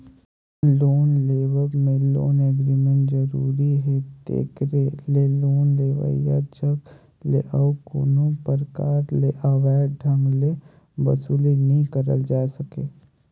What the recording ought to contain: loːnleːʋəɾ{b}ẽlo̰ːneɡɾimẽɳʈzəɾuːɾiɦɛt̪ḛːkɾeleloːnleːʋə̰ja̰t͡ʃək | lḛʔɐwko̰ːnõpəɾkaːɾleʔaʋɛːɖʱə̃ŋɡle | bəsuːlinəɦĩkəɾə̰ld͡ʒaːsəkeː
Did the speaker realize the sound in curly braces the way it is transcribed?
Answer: no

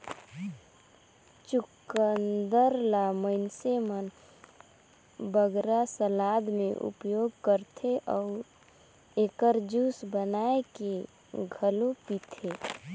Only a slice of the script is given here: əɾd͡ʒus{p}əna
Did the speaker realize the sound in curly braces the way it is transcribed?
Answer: no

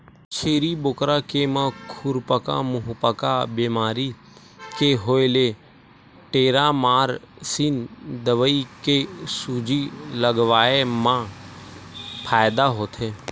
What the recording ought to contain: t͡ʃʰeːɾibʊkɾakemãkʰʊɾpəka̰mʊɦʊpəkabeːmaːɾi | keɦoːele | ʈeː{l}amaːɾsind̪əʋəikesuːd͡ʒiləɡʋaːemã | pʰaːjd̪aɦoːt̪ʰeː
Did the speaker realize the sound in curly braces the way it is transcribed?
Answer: no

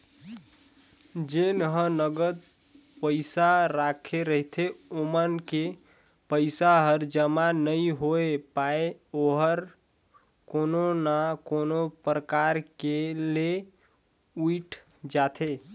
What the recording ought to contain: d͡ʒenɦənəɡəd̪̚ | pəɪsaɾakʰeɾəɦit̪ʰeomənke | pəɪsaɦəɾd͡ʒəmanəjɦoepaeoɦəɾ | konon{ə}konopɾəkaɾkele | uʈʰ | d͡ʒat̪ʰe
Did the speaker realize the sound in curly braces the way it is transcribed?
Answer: no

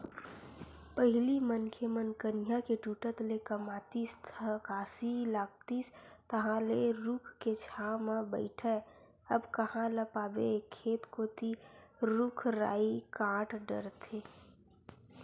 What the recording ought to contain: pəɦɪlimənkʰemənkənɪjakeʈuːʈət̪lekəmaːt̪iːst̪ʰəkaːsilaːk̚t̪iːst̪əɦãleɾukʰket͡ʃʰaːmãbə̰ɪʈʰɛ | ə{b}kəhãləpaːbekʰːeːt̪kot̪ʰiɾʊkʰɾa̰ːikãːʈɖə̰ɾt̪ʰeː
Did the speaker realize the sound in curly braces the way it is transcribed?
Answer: yes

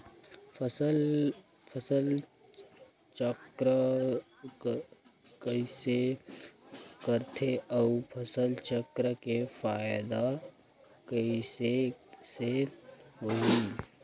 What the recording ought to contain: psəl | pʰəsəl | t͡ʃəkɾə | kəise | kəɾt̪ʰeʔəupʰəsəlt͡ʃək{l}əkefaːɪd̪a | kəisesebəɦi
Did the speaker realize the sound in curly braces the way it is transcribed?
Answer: no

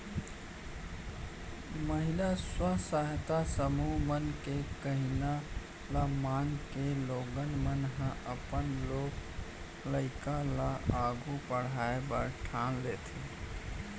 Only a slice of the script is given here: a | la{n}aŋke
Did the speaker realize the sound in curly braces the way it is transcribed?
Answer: no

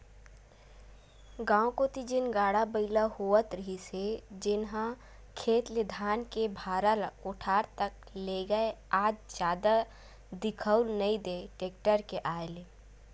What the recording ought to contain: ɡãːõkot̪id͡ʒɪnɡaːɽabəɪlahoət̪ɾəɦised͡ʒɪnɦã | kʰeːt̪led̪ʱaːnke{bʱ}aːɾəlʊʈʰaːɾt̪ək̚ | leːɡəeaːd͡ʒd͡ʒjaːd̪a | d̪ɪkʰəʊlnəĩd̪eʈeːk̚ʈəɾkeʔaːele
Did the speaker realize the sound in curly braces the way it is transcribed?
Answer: yes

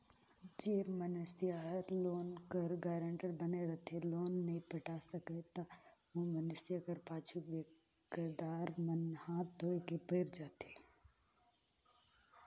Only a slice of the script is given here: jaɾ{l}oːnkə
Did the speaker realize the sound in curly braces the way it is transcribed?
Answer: yes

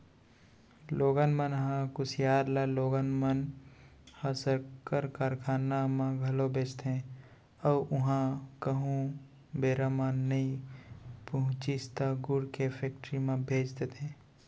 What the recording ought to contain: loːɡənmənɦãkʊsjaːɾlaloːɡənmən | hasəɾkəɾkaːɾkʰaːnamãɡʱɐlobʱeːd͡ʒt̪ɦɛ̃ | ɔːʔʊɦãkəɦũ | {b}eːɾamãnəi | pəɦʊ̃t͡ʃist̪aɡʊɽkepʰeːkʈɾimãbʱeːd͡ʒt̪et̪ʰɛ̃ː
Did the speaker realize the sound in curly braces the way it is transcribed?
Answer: yes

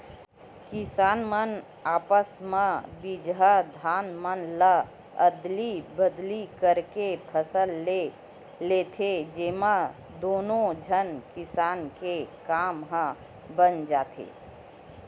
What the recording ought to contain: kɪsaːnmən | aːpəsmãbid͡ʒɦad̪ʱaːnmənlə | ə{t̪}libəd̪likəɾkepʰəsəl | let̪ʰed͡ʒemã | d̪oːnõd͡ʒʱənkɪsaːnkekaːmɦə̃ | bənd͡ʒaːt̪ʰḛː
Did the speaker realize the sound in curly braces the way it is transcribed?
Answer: no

